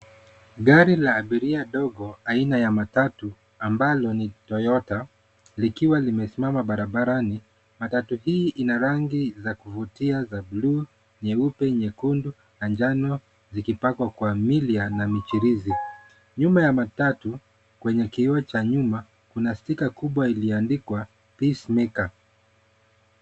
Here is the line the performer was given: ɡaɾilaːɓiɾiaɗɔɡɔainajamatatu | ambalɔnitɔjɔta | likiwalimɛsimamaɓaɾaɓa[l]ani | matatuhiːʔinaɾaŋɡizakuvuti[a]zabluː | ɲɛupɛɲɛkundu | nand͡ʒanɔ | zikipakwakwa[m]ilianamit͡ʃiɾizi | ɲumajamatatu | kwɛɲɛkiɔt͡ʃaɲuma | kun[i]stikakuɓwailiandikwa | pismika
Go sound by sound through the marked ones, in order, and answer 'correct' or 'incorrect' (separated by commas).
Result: incorrect, correct, correct, incorrect